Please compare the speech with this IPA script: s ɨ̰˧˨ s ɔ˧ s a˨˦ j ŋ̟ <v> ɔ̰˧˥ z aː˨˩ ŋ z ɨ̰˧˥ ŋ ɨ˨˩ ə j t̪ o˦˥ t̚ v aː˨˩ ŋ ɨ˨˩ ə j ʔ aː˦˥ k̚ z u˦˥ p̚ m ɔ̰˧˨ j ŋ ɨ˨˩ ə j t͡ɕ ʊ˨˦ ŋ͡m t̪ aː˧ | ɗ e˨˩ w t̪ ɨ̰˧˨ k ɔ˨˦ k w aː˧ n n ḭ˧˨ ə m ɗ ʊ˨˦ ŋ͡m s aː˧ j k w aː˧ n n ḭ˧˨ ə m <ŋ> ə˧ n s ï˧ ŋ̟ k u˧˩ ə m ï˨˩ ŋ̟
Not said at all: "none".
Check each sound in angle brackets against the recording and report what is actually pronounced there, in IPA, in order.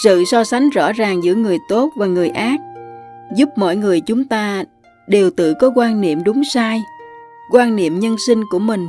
z, ɲ

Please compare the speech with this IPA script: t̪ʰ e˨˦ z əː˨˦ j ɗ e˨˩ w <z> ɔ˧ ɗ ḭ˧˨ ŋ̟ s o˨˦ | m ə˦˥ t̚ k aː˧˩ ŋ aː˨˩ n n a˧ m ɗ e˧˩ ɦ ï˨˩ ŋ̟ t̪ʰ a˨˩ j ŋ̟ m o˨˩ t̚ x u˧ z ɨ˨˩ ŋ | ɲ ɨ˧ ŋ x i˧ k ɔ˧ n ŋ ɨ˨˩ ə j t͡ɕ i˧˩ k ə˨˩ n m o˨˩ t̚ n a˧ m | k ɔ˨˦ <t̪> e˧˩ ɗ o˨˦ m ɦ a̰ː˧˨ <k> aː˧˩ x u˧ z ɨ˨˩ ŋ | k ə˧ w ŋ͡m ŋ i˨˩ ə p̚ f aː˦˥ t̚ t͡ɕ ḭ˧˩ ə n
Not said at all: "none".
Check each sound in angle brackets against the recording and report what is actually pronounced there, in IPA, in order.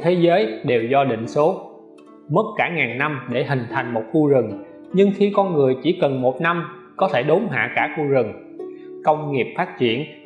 z, t̪ʰ, k

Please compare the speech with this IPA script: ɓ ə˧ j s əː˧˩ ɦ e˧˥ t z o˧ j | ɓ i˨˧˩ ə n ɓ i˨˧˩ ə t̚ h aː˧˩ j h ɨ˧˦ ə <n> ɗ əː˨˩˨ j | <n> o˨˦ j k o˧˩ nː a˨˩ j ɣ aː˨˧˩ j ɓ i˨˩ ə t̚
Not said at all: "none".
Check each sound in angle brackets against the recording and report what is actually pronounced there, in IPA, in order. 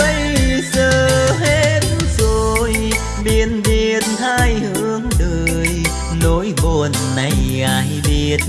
ŋ, n

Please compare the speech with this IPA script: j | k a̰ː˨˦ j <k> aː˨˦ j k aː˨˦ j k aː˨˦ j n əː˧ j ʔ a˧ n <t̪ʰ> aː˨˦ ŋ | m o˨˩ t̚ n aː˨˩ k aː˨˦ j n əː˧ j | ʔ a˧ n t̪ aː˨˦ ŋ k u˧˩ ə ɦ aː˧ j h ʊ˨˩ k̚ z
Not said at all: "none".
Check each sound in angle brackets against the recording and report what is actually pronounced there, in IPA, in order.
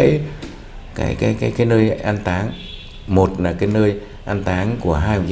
k, t̪

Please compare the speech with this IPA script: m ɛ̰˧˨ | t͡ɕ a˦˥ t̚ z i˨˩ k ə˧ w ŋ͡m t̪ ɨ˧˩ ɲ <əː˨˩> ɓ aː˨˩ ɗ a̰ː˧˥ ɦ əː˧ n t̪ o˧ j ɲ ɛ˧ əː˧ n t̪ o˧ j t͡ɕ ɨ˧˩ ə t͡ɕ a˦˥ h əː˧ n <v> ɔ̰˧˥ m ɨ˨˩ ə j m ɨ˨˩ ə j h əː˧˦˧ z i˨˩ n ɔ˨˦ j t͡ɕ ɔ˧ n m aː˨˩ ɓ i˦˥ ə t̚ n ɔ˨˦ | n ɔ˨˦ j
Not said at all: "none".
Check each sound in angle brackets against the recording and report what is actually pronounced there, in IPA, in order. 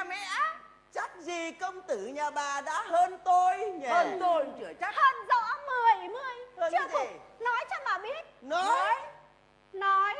aː˨˩, z

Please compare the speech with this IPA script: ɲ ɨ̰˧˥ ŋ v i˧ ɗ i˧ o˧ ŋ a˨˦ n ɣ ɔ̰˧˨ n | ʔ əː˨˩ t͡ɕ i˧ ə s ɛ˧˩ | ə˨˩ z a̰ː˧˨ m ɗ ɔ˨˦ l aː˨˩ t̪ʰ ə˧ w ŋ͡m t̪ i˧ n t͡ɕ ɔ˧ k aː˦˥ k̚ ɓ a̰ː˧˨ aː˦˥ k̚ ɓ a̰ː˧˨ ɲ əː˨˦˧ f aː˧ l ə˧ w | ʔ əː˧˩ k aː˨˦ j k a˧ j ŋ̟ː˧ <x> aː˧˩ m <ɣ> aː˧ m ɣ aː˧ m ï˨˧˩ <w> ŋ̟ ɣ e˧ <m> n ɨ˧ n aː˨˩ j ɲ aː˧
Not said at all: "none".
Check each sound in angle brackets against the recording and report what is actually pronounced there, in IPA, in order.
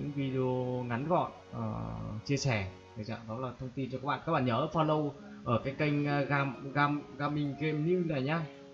ɣ, ɣ, none, m

